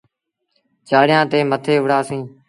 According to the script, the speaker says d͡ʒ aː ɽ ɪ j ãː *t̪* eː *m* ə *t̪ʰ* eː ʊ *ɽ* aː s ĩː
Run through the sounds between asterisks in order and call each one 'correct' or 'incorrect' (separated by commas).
correct, correct, correct, correct